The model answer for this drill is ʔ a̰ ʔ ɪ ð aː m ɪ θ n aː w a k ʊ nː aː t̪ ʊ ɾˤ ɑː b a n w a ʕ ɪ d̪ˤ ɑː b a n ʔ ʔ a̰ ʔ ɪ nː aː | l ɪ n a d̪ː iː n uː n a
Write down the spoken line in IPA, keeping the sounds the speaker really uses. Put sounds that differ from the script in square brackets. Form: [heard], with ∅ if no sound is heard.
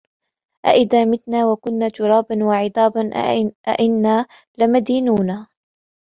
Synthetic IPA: ʔ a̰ ʔ ɪ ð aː m ɪ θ n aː w a k ʊ nː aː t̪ ʊ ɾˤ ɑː b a n w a ʕ ɪ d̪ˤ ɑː b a n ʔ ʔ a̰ ʔ ɪ nː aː | l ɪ [m] a [d̪] iː n uː n a

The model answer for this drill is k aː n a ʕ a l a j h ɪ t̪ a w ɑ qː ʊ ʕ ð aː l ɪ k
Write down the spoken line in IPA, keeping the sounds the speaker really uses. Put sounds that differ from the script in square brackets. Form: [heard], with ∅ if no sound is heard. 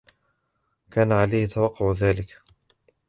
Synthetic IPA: k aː n a ʕ a l a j h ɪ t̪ a w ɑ qː ʊ ʕ ð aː l ɪ k

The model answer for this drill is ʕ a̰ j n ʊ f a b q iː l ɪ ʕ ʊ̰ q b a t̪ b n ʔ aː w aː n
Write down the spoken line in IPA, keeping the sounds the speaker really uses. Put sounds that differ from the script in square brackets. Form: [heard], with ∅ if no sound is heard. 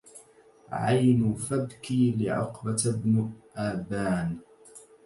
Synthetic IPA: ʕ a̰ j n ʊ f a b [k] iː l ɪ ʕ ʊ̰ q b a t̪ b n ʔ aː [b] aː n

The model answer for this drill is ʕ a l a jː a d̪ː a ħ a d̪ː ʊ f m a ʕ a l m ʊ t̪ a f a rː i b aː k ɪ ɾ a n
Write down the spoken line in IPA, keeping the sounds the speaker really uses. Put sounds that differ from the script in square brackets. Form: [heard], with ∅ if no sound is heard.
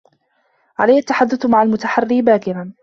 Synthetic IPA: ʕ a l a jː a [t̪ː] a ħ a d̪ː ʊ [θ] m a ʕ a l m ʊ t̪ a [ħ] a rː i b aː k ɪ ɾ a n

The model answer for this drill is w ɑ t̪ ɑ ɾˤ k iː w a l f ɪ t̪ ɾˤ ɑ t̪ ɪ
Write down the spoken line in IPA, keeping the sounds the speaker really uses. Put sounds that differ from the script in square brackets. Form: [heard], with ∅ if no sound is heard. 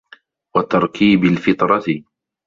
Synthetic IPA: w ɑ t̪ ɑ ɾˤ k iː [b] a l f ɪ t̪ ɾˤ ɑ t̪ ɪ

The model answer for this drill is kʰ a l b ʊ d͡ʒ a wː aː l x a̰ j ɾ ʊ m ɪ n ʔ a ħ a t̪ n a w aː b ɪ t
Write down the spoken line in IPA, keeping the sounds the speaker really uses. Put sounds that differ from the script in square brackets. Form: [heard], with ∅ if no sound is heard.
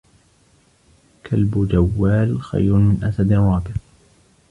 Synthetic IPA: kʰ a l b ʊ d͡ʒ a wː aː l x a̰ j ɾ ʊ m ɪ n ʔ a [s] a [d̪] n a w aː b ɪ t

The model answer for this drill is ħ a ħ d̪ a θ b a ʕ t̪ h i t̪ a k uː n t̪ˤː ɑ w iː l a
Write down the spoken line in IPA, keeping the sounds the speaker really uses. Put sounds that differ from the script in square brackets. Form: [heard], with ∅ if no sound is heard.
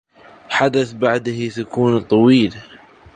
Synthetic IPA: ħ a [∅] d̪ a θ b a ʕ [d̪] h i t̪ a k uː n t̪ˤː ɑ w iː l a

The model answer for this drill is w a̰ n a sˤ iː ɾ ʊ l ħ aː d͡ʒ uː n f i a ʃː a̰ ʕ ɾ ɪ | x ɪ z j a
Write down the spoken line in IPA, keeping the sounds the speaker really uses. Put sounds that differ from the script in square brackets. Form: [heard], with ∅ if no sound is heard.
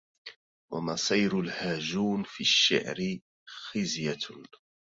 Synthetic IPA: w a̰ [m] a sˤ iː ɾ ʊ l [h] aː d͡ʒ uː n f i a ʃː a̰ ʕ ɾ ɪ | x ɪ z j a

